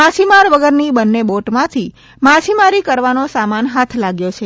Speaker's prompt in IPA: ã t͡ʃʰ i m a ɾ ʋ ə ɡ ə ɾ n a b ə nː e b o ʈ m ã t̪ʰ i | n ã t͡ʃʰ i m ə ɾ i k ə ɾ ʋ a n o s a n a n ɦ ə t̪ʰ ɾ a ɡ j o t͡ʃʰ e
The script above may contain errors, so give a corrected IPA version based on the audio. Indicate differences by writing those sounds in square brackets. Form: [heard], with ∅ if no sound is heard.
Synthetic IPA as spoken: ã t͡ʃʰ i m a ɾ ʋ ə ɡ ə ɾ n [i] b ə nː e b o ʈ m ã t̪ʰ i | [m] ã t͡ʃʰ i m [a] ɾ i k ə ɾ ʋ a n o s a [m] a n ɦ [a] t̪ʰ [l] a ɡ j o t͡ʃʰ e